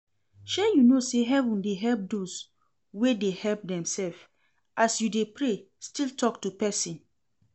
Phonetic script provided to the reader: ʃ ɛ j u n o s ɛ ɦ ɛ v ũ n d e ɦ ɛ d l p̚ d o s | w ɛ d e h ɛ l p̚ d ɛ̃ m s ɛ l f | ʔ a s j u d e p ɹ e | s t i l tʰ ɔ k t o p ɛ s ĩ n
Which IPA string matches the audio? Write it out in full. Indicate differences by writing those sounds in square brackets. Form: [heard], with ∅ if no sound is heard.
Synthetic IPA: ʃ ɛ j u n o s [e] ɦ ɛ v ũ n d e ɦ ɛ [∅] l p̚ d o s | w [e] d e h ɛ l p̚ d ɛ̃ m s ɛ l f | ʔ a s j u d e p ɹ e | s t i l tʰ ɔ k t [u] p ɛ s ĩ n